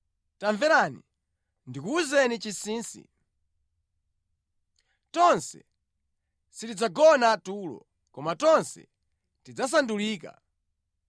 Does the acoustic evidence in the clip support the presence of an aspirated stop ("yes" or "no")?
no